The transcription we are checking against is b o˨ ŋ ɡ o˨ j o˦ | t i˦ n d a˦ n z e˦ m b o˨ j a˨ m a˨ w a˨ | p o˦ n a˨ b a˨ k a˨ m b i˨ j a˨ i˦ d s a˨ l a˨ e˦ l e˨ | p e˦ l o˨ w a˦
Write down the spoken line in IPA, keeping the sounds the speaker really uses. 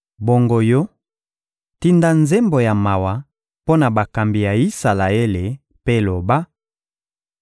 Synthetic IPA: b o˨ ŋ ɡ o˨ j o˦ | t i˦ n d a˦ n z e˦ m b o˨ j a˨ m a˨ w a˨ | p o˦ n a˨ b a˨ k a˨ m b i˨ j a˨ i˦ s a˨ l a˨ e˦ l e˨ | p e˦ l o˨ b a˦

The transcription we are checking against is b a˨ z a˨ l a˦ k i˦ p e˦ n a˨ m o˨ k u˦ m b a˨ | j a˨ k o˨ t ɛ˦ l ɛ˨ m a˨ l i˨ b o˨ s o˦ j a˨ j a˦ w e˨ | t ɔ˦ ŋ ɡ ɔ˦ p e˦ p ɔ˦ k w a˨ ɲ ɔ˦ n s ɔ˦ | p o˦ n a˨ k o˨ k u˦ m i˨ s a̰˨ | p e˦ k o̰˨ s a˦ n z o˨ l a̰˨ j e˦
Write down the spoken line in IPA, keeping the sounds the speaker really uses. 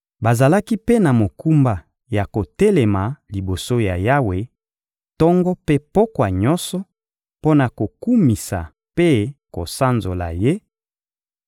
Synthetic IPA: b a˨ z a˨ l a˦ k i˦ p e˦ n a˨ m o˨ k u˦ m b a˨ | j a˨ k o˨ t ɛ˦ l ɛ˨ m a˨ l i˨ b o˨ s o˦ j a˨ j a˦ w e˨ | t ɔ˦ ŋ ɡ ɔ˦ p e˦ p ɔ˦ k w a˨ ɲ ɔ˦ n s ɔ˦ | p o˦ n a˨ k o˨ k u˦ m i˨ s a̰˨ | p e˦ k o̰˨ s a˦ n z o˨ l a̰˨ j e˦

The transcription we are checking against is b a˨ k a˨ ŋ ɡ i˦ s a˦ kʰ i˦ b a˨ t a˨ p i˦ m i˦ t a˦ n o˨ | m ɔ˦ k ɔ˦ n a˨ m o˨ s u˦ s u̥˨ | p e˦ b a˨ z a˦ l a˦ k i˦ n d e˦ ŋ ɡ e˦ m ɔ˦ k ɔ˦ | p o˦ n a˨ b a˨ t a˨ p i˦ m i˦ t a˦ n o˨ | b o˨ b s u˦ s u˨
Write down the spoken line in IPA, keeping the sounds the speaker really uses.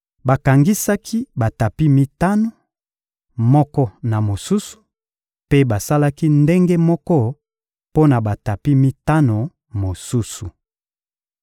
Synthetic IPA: b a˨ k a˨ ŋ ɡ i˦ s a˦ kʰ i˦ b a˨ t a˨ p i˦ m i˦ t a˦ n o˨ | m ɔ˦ k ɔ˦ n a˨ m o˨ s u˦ s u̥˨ | p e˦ b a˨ s a˦ l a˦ k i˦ n d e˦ ŋ ɡ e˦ m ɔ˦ k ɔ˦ | p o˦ n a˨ b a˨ t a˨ p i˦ m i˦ t a˦ n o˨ | m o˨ s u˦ s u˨

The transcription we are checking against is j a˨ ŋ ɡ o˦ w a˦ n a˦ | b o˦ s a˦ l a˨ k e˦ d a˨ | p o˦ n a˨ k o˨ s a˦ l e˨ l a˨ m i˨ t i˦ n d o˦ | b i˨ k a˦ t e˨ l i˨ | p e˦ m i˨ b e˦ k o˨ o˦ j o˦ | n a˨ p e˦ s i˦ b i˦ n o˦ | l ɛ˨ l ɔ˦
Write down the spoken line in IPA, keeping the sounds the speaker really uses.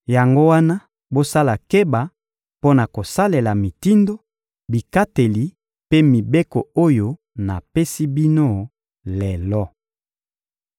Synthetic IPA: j a˨ ŋ ɡ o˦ w a˦ n a˦ | b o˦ s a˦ l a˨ k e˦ b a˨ | p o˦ n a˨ k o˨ s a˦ l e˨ l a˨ m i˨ t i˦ n d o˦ | b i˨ k a˦ t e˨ l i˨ | p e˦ m i˨ b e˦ k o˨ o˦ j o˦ | n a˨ p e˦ s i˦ b i˦ n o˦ | l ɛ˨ l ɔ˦

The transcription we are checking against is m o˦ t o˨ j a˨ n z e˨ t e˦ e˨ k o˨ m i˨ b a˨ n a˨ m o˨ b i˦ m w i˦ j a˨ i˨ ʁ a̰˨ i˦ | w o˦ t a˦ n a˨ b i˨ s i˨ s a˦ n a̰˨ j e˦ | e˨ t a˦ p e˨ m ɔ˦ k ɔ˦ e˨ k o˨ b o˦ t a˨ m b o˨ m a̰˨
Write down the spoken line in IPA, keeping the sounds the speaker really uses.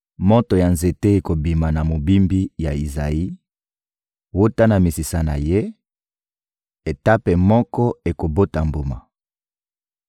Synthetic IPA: m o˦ t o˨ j a˨ n z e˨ t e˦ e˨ k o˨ b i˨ m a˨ n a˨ m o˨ b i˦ m b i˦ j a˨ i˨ z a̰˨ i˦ | w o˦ t a˦ n a˨ m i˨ s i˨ s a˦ n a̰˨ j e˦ | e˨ t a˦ p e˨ m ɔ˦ k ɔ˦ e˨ k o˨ b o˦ t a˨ m b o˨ m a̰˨

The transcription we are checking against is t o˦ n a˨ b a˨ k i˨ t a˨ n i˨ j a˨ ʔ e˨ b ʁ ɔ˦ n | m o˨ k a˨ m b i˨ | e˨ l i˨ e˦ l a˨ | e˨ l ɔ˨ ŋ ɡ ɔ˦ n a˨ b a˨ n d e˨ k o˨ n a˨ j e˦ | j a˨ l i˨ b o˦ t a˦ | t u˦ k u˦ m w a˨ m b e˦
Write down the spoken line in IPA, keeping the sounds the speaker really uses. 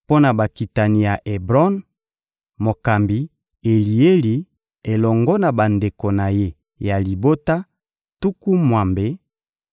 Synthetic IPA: p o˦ n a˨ b a˨ k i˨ t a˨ n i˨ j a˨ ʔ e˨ b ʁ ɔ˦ n | m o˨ k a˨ m b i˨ | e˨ l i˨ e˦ l i˨ | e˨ l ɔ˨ ŋ ɡ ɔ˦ n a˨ b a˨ n d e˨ k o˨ n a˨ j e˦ | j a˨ l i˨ b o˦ t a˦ | t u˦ k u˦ m w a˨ m b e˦

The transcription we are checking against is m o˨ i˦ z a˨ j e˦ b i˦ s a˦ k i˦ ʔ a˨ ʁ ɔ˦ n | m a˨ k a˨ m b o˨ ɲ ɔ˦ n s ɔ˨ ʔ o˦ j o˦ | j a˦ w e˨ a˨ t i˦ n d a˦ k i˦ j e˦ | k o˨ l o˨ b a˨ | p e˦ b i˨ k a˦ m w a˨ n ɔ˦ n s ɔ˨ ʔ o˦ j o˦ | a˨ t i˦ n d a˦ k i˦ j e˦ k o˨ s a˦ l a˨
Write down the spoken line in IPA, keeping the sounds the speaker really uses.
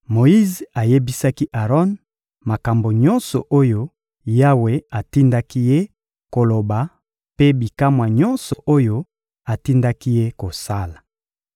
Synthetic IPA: m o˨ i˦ z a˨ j e˦ b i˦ s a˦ k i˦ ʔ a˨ ʁ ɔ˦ n | m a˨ k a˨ m b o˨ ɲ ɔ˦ n s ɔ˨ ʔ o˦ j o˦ | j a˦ w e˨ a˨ t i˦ n d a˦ k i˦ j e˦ | k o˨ l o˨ b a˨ | p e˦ b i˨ k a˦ m w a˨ ɲ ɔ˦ n s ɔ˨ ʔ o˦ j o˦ | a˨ t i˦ n d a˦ k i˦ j e˦ k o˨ s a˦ l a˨

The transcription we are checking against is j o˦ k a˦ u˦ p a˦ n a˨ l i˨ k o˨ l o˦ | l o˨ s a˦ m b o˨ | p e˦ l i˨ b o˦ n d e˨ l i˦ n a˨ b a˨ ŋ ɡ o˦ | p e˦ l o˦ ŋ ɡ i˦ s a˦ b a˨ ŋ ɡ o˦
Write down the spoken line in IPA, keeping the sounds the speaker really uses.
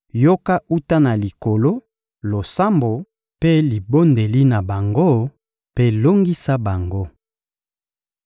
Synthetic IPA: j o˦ k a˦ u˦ t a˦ n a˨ l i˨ k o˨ l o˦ | l o˨ s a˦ m b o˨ | p e˦ l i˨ b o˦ n d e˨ l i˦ n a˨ b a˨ ŋ ɡ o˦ | p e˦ l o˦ ŋ ɡ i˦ s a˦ b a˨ ŋ ɡ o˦

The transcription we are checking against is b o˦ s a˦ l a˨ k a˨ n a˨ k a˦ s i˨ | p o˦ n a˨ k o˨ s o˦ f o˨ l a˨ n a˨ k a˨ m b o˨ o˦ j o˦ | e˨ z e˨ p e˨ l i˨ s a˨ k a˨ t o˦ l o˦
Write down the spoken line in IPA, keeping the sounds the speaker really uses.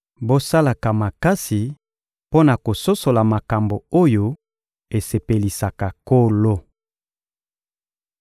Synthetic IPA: b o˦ s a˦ l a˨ k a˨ m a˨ k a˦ s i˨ | p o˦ n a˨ k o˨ s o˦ s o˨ l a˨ m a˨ k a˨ m b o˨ o˦ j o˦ | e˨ s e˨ p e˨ l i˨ s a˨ k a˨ k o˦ l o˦

